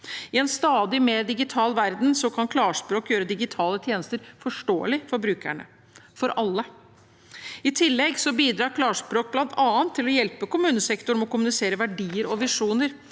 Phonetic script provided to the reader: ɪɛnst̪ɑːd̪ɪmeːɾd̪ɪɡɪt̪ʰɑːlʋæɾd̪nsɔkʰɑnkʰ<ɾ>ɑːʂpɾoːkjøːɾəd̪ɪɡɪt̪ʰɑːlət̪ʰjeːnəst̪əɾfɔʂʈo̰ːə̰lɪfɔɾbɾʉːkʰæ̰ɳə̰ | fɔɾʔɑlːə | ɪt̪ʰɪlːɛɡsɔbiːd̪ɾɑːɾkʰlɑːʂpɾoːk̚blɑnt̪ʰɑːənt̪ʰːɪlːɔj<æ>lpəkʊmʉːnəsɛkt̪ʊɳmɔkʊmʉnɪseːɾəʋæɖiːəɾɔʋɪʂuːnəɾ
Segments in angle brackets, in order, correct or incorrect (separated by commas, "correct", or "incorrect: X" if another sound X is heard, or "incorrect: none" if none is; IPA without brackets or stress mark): incorrect: l, incorrect: ɛ